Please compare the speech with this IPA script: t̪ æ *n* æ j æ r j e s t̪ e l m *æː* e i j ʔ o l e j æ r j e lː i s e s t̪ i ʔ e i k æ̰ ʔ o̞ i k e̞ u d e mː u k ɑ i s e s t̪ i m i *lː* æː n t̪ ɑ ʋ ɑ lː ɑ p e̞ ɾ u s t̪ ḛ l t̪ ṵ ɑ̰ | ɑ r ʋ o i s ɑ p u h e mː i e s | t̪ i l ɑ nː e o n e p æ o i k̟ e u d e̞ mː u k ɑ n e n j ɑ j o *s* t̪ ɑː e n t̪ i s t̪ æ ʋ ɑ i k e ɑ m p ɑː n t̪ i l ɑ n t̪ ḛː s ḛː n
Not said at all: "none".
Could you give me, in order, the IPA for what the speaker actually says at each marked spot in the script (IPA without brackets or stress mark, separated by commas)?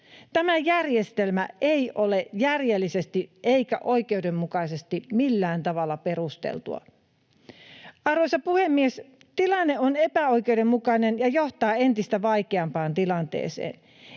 m, æ, lː, h